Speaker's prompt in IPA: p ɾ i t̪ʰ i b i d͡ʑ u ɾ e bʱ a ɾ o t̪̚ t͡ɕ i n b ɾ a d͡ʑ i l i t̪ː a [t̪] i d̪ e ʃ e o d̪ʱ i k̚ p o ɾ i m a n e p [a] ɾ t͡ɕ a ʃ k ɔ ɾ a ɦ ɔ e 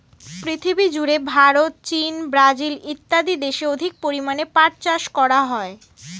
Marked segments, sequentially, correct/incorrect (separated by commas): incorrect, correct